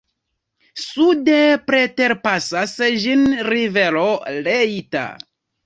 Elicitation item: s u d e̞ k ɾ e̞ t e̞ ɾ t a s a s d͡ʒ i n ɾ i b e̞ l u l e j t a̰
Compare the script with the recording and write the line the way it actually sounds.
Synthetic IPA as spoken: s u d e̞ p ɾ e̞ t e̞ ɾ p a s a s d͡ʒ i n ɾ i v e̞ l o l e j t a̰

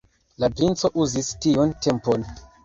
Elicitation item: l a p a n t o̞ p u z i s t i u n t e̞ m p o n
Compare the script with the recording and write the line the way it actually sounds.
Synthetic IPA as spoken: l a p i n t͡s o̞ ʔ u z i s t i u n t e̞ m p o n

